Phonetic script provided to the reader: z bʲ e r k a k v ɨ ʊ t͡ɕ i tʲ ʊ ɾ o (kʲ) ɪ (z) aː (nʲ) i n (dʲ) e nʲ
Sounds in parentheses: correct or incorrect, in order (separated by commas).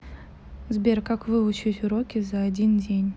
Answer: correct, correct, incorrect, correct